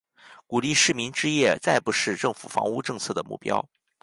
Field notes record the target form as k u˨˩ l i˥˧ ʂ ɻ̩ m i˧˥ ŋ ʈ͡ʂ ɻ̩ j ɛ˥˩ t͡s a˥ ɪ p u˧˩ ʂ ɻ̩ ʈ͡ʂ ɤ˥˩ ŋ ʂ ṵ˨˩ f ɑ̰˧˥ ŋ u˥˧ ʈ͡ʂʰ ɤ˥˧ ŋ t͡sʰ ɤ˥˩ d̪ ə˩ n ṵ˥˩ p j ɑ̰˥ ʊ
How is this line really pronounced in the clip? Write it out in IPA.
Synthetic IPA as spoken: k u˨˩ l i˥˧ ʂ ɻ̩ m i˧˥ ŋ ʈ͡ʂ ɻ̩ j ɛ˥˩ t͡s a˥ ɪ p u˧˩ ʂ ɻ̩ ʈ͡ʂ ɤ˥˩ ŋ f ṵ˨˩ f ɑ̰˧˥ ŋ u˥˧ ʈ͡ʂ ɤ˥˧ ŋ t͡sʰ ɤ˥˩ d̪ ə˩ m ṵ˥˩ p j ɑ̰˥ ʊ

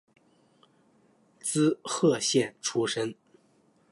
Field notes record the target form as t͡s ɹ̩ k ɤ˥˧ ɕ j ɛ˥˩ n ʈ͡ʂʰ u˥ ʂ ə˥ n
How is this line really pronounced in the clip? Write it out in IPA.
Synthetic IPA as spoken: t͡s ɹ̩ x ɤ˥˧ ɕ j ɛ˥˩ n ʈ͡ʂʰ u˥ ʂ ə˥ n

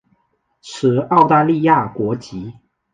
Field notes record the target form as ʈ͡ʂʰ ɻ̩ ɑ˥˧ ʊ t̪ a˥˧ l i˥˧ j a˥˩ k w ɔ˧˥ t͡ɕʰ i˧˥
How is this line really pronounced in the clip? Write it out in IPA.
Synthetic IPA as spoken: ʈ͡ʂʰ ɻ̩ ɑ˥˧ ʊ t̪ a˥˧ l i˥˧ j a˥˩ k w ɔ˧˥ t͡ɕ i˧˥

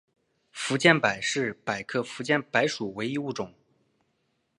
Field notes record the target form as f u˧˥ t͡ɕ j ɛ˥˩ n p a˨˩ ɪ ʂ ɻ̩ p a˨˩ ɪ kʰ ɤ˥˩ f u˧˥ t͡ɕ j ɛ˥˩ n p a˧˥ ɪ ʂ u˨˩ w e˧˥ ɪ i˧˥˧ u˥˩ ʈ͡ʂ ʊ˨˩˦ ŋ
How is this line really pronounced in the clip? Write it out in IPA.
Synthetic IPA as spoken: f u˧˥ t͡ɕ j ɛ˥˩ n p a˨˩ ɪ ʂ ɻ̩ p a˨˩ ɪ kʰ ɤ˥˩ f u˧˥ t͡ɕ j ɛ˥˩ n p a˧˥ ɪ ʂ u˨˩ w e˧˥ ɪ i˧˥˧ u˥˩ ʈ͡ʂ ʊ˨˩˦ ŋ

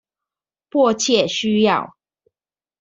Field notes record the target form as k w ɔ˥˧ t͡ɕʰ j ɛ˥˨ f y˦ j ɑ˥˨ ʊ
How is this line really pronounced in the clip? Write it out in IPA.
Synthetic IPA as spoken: p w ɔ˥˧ t͡ɕʰ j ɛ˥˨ ɕ y˦ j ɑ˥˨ ʊ

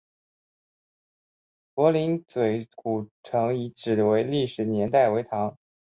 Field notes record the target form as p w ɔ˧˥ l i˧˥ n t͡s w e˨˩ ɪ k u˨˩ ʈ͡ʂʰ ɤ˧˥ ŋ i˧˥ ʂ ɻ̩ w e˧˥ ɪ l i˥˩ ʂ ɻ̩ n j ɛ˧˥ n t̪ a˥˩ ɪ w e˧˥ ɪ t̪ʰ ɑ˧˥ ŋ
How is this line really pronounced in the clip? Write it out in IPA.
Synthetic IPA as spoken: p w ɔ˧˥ l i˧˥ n t͡s w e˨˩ ɪ k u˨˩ ʈ͡ʂʰ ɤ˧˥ ŋ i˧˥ ʈ͡ʂ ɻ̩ w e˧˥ ɪ l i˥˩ ʂ ɻ̩ n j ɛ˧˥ n t̪ a˥˩ ɪ w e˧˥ ɪ t̪ʰ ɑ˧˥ ŋ

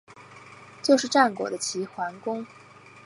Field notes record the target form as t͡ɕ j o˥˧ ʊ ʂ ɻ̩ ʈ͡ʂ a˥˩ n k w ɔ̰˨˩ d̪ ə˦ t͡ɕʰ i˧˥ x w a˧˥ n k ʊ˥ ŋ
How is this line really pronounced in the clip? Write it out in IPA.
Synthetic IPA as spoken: t͡ɕ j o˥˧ ʊ ʂ ɻ̩ ʈ͡ʂ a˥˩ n k w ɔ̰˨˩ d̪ ə˦ t͡ɕʰ i˧˥ x w a˧˥ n k ʊ˥ ŋ

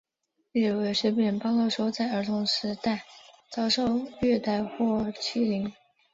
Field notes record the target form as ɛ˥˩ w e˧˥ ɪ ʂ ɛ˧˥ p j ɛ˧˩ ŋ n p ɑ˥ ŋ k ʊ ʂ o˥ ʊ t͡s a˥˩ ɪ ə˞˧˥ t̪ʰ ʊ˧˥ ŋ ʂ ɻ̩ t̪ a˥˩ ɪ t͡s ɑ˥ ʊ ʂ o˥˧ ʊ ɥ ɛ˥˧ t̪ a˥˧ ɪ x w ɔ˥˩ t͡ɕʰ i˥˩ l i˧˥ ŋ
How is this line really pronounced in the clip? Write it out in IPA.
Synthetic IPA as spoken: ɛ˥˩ w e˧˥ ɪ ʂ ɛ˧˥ p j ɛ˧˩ n p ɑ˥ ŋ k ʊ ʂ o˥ ʊ t͡s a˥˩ ɪ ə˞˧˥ t̪ʰ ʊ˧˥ ŋ ʂ ɻ̩ t̪ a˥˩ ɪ t͡s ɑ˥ ʊ ʂ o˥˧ ʊ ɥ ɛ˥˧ t̪ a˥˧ ɪ x w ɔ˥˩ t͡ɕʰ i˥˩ l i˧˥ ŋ

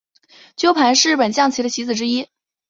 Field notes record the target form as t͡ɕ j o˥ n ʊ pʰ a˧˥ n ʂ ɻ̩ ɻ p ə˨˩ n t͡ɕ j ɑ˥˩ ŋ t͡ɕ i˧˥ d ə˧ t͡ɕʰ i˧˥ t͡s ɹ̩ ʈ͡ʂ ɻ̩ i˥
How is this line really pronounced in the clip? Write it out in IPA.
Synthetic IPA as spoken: t͡ɕ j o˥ ʊ pʰ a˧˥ n ʂ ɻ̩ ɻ p ə˨˩ n t͡ɕ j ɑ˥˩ ŋ t͡ɕʰ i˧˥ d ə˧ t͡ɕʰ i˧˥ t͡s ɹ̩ ʈ͡ʂ ɻ̩ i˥

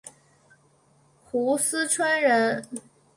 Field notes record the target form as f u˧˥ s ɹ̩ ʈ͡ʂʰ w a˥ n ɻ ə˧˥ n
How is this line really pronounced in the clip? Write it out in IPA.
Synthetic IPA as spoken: x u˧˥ s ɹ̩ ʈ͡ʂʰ w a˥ n ɻ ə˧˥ n

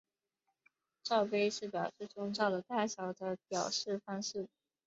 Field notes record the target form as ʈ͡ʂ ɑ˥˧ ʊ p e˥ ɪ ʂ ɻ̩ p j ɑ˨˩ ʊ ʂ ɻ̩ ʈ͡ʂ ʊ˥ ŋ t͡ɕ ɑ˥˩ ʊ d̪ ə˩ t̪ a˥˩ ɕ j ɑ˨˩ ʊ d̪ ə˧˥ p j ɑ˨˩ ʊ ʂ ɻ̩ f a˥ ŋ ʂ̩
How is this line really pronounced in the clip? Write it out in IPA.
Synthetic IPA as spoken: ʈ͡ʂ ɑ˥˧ ʊ p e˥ ɪ ʂ ɻ̩ p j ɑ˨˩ ʊ ʂ ɻ̩ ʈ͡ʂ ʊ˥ ŋ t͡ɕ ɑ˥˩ ʊ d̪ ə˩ t̪ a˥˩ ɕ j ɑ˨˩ ʊ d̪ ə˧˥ p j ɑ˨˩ ʊ ʂ ɻ̩ f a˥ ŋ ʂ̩

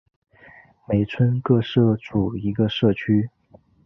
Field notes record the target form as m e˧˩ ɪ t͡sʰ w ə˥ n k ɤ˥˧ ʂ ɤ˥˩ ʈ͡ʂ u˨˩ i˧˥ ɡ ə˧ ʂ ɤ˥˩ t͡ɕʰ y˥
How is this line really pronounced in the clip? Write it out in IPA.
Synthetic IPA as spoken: m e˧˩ ɪ t͡sʰ w ə˥ n k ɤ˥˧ ʂ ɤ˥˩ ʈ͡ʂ u˨˩ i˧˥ ɡ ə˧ ʂ ɤ˥˩ t͡ɕʰ y˥

